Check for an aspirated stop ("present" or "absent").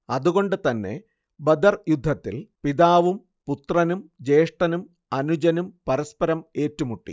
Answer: absent